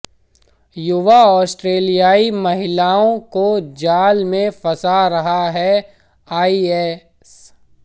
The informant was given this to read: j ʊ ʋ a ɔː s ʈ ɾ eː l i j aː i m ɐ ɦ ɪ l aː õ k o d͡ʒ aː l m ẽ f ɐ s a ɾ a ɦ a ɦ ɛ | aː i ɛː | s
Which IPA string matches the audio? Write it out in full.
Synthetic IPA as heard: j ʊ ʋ a ɔː s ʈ ɾ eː l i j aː i m ɐ ɦ ɪ l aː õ k o d͡ʒ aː l m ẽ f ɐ s a ɾ ɐ ɦ a ɦ ɛ | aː i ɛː | s